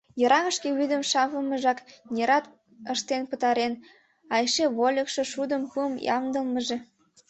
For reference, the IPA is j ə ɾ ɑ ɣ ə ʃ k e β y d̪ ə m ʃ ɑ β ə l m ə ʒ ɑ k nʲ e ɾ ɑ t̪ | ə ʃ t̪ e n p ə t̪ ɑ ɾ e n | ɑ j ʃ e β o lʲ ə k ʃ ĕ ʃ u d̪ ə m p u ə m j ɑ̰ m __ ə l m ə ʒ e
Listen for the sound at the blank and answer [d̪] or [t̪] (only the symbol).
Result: d̪